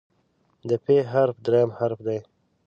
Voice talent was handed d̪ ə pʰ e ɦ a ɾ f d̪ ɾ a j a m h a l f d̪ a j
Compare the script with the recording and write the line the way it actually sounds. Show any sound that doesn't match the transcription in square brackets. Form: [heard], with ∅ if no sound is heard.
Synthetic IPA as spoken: d̪ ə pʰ e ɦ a ɾ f d̪ ɾ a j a m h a [ɾ] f d̪ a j

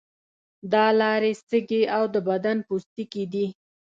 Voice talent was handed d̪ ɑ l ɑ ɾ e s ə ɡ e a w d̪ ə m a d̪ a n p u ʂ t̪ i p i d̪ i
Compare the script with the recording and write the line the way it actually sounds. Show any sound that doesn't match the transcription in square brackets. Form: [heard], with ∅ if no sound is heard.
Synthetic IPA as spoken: d̪ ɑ l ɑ ɾ e s ə ɡ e a w d̪ ə [b] a d̪ a n p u [s] t̪ i [k] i d̪ i

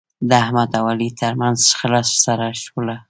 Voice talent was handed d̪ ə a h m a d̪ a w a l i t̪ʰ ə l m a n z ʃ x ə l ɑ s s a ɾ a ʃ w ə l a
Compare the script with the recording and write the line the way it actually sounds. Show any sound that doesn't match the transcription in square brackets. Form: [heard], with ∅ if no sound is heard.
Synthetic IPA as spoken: d̪ ə a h m a d̪ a w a l i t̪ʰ ə [ɾ] m a n z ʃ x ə l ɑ s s a ɾ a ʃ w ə l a

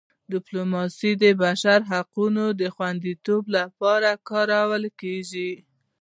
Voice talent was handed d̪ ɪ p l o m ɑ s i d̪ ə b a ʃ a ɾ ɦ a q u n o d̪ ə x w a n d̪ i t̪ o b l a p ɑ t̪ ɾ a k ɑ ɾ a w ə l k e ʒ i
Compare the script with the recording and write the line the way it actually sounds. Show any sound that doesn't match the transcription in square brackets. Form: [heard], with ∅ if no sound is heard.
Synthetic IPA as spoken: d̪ ɪ p l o m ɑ s i d̪ ə b a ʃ a ɾ ɦ a q u n o d̪ ə x w a n d̪ i t̪ o b l a p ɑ [∅] ɾ a k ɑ ɾ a w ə l k e ʒ i

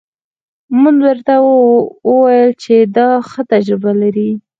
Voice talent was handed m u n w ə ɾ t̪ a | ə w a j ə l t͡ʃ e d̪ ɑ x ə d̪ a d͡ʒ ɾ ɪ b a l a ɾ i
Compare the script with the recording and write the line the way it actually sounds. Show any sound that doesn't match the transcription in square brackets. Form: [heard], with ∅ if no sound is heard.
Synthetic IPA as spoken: m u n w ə ɾ t̪ a | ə w a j ə l t͡ʃ e d̪ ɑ x ə [t̪] a d͡ʒ ɾ ɪ b a l a ɾ i

